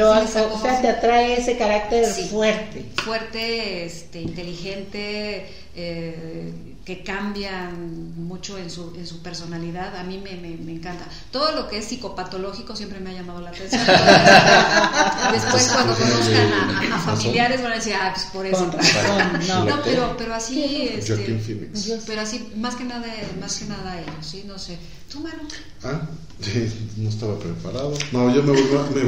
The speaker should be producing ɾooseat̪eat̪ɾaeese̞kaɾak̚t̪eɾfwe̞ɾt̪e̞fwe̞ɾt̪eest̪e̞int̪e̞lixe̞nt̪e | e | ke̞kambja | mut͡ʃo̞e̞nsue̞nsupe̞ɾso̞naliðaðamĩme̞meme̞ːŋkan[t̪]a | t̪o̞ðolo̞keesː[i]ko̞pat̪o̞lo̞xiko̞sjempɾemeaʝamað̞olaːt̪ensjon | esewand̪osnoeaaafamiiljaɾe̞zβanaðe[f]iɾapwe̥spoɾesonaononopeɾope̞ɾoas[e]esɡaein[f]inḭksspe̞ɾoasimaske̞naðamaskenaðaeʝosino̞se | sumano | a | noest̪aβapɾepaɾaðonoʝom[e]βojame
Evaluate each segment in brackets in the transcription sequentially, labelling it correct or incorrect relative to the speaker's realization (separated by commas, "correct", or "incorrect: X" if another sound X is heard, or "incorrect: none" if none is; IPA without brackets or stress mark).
correct, correct, incorrect: s, incorrect: i, correct, correct